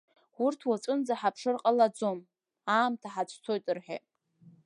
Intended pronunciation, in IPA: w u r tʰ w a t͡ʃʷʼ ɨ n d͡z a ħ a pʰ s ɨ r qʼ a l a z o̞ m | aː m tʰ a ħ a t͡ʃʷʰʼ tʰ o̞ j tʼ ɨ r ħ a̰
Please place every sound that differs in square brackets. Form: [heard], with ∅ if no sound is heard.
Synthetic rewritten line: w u r tʰ w a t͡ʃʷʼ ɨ n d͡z a ħ a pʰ [ʂ] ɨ r qʼ a l a [d͡z] o̞ m | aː m tʰ a ħ a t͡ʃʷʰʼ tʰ o̞ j tʼ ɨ r ħ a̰

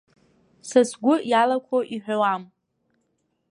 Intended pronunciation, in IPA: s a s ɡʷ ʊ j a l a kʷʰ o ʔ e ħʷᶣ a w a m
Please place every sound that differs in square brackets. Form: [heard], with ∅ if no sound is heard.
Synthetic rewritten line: s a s ɡʷ ʊ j a l a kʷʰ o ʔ [i] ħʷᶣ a w a m

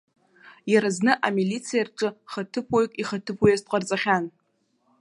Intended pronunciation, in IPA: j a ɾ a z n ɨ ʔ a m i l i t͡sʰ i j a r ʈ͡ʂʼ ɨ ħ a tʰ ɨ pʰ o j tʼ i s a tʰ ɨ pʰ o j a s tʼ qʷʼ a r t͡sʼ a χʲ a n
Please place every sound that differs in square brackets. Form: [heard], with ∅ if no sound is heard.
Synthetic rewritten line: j a ɾ a z n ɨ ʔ a m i l i t͡sʰ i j a r ʈ͡ʂʼ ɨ [χ] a tʰ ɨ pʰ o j [kʼ] i [χ] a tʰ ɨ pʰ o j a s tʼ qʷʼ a r t͡sʼ a χʲ a n

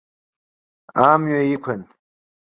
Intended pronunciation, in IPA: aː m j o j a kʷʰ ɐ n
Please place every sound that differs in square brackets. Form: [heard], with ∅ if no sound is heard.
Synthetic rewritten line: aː m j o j [i] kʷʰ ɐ n

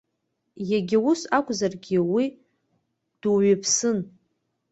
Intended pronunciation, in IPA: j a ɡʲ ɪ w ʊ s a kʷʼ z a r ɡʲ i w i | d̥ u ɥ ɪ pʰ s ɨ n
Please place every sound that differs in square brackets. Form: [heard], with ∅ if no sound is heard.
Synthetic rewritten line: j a ɡʲ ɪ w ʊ s a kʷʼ z a r ɡʲ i w i | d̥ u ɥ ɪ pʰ s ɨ n

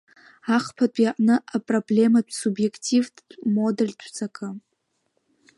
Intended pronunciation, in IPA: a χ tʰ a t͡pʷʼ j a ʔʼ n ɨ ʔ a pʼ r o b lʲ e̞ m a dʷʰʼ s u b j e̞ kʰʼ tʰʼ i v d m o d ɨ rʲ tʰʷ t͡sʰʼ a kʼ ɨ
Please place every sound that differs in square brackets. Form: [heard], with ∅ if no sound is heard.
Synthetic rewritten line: a χ [pʰ] a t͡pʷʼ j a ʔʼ n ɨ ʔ a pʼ r o b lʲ e̞ m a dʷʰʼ s u b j e̞ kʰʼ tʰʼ i v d m o d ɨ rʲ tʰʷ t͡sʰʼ a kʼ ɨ

